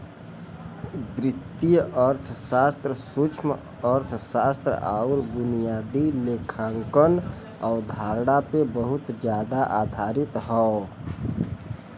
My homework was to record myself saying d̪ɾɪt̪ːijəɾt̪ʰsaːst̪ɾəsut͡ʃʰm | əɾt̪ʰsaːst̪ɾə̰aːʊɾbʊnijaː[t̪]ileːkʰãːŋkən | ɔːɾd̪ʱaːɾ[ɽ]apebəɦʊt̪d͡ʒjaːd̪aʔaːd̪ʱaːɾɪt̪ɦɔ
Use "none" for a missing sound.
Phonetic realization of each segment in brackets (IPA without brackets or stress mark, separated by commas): d̪, ɽ